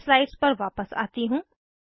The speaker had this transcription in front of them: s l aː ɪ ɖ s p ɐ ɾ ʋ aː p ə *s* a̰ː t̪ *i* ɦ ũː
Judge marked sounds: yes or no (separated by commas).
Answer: yes, yes